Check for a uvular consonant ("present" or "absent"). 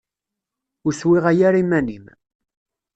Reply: present